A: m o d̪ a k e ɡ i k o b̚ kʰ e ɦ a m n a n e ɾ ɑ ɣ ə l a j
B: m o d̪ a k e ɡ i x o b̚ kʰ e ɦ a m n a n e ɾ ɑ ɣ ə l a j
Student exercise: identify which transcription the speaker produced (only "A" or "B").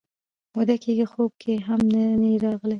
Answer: B